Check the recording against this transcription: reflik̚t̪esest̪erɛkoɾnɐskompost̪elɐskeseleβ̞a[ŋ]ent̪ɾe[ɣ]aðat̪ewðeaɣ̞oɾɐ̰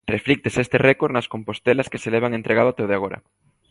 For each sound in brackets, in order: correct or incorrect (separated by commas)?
correct, correct